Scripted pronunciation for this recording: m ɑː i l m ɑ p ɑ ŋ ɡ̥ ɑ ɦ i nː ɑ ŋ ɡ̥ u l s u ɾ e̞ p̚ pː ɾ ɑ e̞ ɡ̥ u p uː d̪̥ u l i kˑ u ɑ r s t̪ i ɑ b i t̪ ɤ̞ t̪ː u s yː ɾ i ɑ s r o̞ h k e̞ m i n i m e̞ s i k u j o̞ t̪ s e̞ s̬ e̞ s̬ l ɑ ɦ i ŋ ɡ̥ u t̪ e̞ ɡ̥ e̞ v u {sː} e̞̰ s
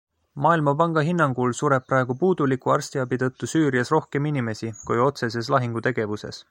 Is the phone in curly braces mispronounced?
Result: yes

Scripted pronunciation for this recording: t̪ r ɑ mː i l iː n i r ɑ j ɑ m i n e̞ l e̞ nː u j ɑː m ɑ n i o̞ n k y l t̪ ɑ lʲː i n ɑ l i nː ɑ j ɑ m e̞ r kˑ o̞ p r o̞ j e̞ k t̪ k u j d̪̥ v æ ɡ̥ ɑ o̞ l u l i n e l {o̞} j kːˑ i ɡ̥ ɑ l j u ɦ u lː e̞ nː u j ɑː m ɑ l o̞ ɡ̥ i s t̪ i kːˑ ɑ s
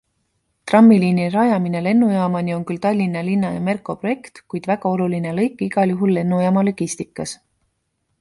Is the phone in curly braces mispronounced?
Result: yes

